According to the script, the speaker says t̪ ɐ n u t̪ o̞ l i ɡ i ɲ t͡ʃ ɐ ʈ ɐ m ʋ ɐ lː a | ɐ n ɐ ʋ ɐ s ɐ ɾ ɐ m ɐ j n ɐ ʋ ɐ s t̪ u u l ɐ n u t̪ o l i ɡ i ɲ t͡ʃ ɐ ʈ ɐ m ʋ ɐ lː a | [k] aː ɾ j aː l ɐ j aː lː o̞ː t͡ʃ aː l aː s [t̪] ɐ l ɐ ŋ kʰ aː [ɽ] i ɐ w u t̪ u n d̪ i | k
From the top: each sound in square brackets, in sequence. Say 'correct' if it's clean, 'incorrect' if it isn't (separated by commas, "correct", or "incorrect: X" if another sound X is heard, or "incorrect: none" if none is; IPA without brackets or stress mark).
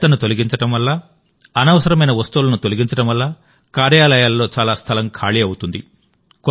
correct, incorrect: t̪ʰ, incorrect: ɭ